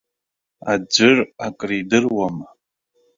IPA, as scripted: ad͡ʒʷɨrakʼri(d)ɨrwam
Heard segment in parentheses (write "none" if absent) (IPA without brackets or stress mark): d